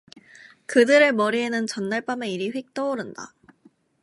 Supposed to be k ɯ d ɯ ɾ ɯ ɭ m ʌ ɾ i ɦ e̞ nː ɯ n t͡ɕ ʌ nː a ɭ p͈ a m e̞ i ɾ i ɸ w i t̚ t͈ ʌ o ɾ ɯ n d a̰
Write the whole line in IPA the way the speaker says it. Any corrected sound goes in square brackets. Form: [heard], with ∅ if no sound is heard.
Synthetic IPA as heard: k ɯ d ɯ ɾ ɯ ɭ m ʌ ɾ i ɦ e̞ [n] ɯ n t͡ɕ ʌ nː a ɭ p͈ a m e̞ i ɾ i ɸ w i [k̚] t͈ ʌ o ɾ ɯ n d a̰